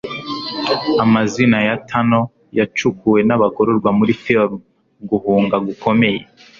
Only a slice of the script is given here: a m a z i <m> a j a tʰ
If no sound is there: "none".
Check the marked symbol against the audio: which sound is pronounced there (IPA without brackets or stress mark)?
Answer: n